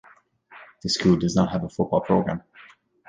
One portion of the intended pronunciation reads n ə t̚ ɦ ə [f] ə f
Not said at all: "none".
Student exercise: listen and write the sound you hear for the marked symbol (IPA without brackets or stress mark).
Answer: v